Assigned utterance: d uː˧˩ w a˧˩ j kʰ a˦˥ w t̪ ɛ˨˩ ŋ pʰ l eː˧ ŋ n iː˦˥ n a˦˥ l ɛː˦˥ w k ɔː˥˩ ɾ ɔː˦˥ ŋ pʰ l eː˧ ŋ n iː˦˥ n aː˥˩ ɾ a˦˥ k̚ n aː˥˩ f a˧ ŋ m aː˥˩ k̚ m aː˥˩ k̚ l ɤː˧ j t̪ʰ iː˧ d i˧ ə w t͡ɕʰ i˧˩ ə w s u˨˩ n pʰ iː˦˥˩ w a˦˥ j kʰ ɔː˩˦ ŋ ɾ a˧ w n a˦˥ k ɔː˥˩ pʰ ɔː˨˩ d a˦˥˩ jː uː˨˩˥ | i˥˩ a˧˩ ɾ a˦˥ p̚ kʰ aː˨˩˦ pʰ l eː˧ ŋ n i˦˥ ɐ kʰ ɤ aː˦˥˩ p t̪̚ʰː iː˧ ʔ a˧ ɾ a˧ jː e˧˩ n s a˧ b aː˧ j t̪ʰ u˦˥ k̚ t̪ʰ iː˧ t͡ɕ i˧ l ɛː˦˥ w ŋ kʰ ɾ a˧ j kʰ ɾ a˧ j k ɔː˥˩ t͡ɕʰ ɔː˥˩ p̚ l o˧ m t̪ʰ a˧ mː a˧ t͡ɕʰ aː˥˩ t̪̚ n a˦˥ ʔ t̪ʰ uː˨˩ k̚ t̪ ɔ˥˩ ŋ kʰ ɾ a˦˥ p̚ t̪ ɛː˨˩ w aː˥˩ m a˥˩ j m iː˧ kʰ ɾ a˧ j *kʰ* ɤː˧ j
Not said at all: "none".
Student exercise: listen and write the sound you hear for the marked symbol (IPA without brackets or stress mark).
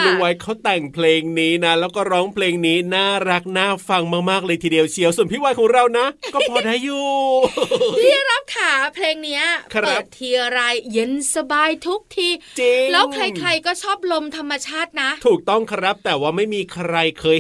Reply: kʰ